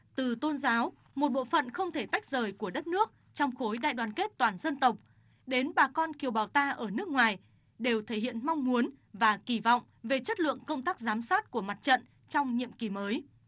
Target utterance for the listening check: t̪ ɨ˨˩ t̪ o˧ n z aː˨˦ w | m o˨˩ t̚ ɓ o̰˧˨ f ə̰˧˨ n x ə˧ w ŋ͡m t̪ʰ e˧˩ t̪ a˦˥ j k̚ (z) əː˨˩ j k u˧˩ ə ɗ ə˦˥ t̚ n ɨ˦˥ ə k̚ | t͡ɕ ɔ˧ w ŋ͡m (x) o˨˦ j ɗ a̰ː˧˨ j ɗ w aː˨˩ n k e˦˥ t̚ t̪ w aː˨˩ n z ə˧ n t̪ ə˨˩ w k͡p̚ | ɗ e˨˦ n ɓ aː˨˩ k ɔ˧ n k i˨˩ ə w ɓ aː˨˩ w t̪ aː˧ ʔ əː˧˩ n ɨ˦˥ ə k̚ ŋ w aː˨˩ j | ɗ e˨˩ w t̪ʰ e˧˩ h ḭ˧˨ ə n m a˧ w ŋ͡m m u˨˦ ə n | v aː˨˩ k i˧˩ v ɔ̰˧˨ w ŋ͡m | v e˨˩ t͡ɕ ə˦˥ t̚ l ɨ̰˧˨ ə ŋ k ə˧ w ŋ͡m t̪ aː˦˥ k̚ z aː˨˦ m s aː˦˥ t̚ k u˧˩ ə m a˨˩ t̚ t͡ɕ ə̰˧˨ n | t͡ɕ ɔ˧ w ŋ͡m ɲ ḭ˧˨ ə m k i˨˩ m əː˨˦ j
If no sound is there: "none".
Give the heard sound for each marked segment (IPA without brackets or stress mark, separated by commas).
z, x